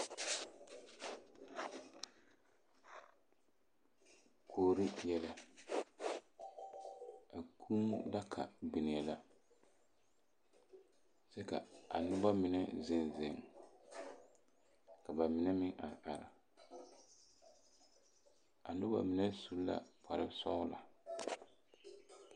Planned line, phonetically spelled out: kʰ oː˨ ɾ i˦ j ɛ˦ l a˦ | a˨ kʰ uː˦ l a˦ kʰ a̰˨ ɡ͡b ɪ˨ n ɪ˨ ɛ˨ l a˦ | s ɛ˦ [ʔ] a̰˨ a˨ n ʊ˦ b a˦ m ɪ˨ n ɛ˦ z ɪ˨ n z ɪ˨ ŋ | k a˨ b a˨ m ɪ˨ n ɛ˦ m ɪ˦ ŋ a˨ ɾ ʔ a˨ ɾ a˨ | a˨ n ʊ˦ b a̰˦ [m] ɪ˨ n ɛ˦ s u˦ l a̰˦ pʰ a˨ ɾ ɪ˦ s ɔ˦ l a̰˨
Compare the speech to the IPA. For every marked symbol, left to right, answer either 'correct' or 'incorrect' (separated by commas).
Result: incorrect, correct